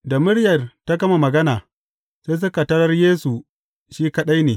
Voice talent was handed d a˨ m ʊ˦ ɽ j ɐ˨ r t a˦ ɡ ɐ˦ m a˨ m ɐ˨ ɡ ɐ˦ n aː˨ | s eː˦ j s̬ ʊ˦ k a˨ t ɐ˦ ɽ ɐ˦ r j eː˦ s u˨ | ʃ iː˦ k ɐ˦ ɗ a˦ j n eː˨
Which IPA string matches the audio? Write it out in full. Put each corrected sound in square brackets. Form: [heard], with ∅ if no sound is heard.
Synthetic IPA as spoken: d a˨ m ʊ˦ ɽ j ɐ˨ r t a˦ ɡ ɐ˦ m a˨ m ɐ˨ ɡ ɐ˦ n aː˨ | s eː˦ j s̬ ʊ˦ k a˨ t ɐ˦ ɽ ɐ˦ r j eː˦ s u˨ | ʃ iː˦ k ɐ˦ ɗ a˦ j n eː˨

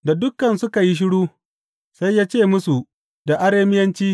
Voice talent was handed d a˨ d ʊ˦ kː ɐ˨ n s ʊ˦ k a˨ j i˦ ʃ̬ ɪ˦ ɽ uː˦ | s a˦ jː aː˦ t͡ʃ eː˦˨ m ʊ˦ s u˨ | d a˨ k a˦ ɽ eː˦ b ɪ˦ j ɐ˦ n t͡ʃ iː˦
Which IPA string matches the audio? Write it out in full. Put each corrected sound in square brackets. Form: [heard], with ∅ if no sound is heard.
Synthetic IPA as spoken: d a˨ d ʊ˦ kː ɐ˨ n s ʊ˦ k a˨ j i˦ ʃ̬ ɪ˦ ɽ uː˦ | s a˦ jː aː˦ t͡ʃ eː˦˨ m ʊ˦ s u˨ | d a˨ [ʔ] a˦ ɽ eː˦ [m] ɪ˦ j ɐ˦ n t͡ʃ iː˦

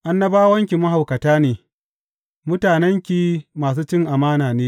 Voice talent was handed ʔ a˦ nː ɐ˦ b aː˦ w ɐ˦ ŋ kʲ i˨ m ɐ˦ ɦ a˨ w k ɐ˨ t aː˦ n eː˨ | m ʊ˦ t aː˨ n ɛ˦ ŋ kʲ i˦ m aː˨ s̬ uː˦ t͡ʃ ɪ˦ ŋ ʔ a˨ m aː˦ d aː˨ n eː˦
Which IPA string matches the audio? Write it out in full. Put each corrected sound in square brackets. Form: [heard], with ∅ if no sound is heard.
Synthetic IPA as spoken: ʔ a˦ nː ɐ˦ b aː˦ w ɐ˦ ŋ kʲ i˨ m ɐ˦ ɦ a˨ w k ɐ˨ t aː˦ n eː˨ | m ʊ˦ t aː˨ n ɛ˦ ŋ kʲ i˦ m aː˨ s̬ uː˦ t͡ʃ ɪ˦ ŋ ʔ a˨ m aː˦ [n] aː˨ n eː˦

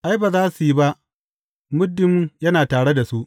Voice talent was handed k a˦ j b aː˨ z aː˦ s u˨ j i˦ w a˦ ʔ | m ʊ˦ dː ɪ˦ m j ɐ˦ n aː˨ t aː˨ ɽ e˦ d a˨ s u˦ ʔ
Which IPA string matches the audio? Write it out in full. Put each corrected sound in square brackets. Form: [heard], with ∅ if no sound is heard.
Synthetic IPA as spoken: [ʔ] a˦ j b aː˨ z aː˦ s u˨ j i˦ [b] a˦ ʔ | m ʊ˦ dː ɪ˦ m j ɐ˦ n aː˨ t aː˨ ɽ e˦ d a˨ s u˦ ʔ

